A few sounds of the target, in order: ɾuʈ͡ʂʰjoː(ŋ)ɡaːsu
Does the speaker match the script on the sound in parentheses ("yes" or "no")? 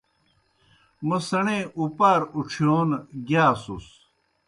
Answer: no